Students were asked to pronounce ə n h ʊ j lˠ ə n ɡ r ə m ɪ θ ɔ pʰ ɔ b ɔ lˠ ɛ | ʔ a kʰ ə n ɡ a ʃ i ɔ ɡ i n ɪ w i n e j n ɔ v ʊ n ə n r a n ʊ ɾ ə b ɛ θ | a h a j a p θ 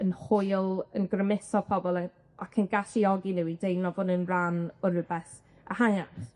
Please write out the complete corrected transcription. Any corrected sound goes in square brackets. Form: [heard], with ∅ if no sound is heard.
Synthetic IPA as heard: ə n h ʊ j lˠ ə n ɡ r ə m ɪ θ ɔ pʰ ɔ b ɔ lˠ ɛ | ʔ a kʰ ə n ɡ a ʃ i ɔ ɡ i n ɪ w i [d] e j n ɔ v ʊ n ə n r a n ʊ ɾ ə b ɛ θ | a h a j a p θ